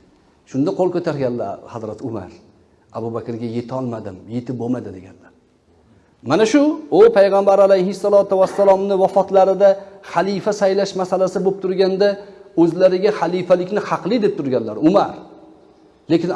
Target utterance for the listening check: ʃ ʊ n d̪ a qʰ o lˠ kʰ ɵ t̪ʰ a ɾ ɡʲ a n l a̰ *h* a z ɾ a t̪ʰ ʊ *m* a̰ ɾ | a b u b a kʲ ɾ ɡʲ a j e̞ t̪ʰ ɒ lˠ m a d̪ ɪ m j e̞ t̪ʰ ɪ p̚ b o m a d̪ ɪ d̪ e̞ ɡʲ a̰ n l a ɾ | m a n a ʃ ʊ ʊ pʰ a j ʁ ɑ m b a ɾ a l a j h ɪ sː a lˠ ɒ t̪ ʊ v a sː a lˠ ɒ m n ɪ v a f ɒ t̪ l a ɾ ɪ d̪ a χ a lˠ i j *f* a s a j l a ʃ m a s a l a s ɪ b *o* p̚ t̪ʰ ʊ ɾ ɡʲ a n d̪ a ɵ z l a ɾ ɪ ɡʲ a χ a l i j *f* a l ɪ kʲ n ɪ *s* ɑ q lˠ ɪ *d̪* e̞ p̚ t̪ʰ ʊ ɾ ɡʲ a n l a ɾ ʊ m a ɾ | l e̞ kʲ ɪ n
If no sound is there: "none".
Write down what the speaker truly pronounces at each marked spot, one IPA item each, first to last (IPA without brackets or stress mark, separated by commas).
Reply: h, m, f, o, f, h, d̪